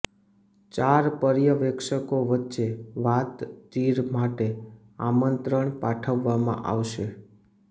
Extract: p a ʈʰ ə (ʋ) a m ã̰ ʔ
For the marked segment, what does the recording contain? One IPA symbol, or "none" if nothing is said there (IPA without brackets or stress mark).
ʋː